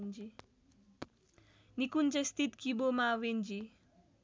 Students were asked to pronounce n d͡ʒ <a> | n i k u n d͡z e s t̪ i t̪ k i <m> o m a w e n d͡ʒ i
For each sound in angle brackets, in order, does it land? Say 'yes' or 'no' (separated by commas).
no, no